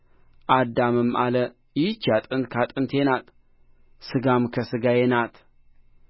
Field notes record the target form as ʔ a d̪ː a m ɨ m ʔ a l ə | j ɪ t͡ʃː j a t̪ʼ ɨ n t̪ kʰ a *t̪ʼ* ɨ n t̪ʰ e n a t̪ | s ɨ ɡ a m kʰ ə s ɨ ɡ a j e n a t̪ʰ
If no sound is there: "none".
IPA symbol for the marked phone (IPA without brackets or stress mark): t̪ʼ